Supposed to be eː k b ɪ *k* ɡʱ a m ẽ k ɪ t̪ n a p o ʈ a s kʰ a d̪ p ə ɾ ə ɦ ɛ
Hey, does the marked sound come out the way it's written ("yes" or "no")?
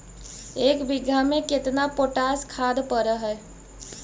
no